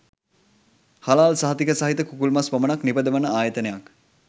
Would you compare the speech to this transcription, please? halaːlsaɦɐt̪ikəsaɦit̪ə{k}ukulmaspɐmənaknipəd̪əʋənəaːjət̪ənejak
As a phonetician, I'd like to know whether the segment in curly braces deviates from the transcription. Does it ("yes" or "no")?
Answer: no